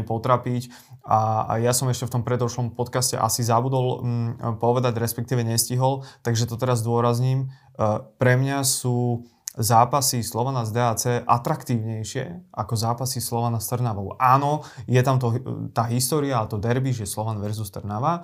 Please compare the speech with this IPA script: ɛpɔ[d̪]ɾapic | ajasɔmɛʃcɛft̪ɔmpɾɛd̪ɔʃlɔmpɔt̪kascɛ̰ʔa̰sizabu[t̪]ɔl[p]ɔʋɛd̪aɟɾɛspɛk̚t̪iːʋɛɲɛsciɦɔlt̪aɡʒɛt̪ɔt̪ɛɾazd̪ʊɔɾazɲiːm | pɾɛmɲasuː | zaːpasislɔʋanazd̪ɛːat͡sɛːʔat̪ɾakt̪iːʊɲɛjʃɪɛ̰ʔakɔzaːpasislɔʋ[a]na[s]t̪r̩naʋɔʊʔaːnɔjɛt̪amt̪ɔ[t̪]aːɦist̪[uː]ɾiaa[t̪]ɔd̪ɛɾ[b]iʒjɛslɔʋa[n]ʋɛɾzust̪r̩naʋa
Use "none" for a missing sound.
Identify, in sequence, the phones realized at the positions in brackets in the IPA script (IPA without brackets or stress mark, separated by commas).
t̪, d̪, p, a, s, t̪, ɔː, t̪, b, n